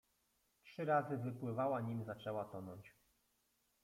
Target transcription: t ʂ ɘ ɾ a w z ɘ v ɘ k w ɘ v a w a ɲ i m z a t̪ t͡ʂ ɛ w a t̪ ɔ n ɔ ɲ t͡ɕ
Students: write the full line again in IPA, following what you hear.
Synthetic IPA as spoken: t ʂ ɘ ɾ a z ɘ v ɘ p w ɘ v a w a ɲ i m z a t͡ʂ ɛ w a t̪ ɔ n ɔ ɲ t͡ɕ